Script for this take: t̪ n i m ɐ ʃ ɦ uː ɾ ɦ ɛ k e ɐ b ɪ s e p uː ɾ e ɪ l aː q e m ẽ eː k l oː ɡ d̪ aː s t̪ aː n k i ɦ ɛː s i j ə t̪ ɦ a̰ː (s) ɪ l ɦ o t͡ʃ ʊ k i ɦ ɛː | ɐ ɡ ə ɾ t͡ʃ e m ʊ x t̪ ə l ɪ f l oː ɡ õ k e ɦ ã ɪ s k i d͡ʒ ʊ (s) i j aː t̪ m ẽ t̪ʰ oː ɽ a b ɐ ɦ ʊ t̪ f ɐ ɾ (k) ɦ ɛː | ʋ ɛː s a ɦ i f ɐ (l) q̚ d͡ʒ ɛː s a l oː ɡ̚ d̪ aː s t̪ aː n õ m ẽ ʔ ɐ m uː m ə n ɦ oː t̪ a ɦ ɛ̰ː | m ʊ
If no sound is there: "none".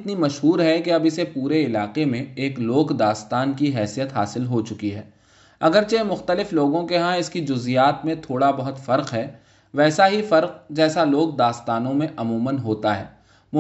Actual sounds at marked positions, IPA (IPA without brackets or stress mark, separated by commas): s, z, q, ɾ